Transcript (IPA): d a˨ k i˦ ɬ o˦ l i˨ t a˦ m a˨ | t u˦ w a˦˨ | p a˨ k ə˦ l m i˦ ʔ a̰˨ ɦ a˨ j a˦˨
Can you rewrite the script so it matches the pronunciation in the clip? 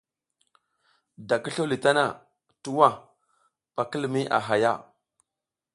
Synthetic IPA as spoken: d a˨ k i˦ ɬ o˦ l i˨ t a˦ n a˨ | t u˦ w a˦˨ | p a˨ k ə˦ l m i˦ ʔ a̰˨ ɦ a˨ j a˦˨